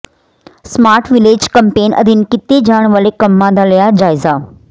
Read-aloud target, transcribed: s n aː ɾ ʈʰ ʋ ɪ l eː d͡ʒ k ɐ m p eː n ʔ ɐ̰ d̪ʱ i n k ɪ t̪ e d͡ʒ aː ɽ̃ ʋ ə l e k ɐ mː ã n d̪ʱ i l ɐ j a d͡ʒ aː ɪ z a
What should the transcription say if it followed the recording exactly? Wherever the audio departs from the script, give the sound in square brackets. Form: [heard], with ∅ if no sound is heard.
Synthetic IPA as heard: s [m] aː ɾ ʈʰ ʋ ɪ l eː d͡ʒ k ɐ m p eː n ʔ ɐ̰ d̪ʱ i n k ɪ t̪ e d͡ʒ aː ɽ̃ ʋ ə l e k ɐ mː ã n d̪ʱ [a] l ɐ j a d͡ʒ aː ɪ z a